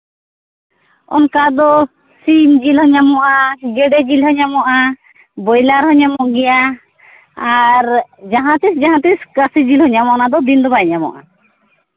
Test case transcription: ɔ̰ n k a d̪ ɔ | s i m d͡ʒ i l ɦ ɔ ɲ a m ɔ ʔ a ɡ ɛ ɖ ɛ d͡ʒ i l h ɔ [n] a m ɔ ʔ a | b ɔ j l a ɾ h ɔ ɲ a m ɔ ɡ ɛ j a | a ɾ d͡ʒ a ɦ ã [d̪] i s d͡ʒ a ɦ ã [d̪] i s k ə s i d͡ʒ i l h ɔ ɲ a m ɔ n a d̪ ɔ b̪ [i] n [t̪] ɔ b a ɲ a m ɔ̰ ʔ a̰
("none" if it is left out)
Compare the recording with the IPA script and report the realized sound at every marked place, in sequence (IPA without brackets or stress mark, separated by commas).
ɲ, t̪, t̪, i, d̪